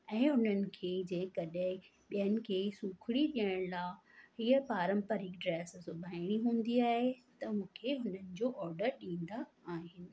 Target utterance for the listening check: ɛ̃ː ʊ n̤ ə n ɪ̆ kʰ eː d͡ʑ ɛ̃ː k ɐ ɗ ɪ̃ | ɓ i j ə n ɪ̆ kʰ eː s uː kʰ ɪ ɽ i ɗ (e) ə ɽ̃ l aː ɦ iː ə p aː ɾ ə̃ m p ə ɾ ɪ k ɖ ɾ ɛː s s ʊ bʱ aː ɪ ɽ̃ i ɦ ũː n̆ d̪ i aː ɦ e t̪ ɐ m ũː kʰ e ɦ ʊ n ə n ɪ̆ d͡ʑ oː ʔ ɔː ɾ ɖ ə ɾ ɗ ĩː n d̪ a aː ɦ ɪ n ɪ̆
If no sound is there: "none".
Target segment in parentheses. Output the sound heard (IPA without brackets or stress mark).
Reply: i